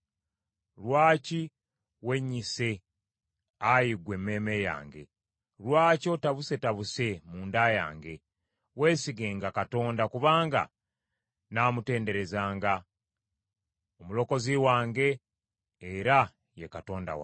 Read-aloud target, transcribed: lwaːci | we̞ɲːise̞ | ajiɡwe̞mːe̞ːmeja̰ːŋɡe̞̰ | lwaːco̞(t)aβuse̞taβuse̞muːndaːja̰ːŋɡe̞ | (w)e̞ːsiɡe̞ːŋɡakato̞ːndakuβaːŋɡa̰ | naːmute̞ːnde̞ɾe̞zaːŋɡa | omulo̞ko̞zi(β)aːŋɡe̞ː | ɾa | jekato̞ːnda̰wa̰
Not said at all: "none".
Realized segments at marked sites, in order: t, w, w

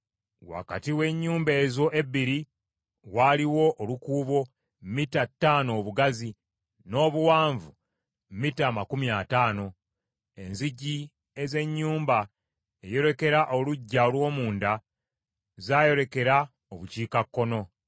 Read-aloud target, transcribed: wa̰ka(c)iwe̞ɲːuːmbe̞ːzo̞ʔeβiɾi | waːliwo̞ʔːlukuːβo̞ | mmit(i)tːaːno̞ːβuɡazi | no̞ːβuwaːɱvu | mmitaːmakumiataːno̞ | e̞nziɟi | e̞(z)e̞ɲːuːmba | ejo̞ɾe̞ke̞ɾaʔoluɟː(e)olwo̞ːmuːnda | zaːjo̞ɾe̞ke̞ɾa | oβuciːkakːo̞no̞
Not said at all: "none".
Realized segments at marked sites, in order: t, a, z, a

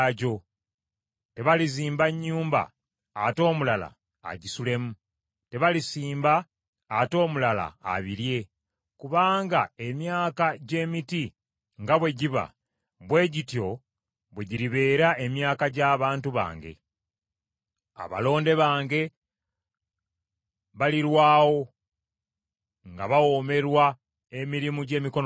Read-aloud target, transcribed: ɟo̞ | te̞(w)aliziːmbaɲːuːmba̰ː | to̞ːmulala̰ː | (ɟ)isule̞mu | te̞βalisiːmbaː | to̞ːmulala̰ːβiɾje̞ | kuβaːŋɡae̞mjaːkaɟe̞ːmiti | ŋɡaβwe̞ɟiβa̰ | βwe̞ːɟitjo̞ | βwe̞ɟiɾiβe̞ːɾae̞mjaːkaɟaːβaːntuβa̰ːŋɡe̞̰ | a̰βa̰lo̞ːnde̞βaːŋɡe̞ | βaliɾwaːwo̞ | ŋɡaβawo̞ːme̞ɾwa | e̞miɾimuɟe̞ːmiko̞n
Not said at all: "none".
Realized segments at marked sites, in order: β, ɟ

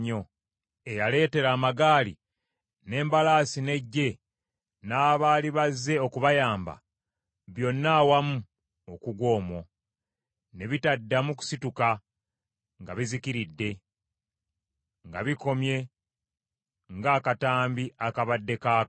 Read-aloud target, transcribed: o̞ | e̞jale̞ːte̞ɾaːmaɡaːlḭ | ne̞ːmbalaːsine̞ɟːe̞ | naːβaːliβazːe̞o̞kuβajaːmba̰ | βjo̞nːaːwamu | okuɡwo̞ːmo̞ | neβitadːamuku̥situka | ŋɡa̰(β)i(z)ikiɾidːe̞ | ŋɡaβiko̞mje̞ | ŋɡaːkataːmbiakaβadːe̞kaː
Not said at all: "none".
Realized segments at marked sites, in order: β, z

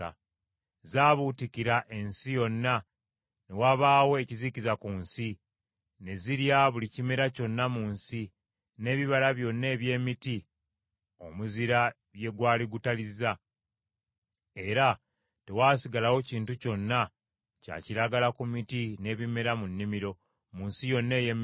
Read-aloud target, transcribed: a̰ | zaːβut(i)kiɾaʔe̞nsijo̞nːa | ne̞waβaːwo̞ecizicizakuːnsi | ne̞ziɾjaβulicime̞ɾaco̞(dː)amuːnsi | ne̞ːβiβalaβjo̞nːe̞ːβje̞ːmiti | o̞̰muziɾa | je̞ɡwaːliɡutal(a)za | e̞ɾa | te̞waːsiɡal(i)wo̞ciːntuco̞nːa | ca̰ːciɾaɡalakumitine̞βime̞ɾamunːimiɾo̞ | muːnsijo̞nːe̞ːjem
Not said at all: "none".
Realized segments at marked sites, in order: i, nː, i, a

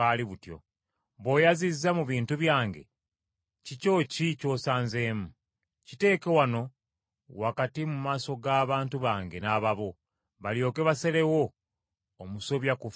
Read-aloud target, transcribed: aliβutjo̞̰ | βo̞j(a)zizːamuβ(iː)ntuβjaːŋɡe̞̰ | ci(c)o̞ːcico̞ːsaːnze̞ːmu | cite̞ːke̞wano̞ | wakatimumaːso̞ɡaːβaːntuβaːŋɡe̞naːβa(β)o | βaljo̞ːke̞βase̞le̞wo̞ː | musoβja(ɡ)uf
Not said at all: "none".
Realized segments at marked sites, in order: a, iː, c, β, k

